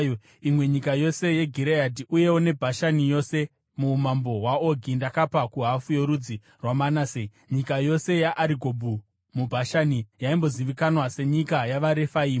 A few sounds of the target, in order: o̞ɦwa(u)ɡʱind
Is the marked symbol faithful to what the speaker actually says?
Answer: no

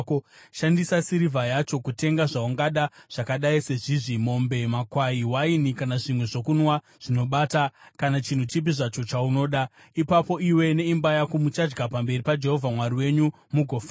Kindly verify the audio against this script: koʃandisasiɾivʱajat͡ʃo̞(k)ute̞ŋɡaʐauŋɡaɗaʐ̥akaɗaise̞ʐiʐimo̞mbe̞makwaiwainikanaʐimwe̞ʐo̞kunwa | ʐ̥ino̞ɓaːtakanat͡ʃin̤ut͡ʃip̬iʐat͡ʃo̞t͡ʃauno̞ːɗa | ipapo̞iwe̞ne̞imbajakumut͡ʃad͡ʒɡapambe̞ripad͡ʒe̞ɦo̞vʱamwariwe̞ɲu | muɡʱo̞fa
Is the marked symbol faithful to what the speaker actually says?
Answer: yes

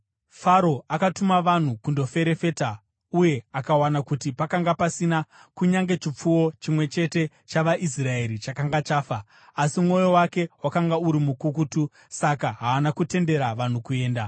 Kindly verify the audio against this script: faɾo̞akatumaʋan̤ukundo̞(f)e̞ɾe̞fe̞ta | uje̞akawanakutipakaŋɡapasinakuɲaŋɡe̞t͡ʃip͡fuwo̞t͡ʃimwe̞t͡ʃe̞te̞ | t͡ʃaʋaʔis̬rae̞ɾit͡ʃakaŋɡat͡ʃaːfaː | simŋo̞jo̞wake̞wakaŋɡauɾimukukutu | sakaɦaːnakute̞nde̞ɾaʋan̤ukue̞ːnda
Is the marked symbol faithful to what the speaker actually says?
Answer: yes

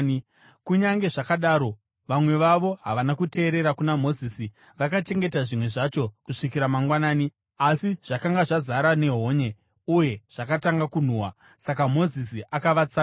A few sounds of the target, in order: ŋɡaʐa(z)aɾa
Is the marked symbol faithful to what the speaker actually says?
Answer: yes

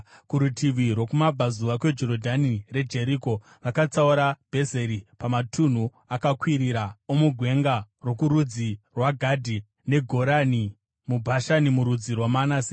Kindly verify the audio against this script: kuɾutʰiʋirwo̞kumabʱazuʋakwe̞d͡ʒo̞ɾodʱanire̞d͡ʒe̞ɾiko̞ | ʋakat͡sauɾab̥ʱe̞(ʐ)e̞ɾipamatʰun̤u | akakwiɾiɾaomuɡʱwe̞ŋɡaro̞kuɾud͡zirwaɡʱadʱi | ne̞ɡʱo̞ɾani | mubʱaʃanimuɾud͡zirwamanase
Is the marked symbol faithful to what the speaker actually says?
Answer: no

